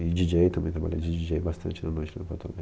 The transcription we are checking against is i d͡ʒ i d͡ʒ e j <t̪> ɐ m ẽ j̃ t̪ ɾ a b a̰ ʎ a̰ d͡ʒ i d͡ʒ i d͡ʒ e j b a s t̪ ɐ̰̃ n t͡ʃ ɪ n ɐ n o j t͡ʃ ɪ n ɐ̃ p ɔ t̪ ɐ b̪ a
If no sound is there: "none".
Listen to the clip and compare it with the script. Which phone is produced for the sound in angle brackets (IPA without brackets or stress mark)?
t̪